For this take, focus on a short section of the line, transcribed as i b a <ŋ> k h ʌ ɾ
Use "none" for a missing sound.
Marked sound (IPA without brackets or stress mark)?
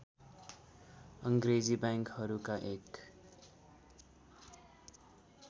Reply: ŋ